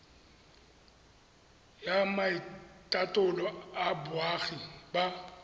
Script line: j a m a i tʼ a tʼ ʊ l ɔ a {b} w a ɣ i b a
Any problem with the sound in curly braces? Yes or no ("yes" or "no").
no